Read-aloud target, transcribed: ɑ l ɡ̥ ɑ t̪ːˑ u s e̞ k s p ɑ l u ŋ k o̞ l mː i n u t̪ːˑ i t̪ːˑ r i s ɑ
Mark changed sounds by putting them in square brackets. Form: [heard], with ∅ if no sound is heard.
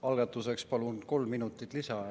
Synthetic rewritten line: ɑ l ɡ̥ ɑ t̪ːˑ u s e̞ k s p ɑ l u [n] k o̞ l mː i n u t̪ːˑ i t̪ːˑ [l] i s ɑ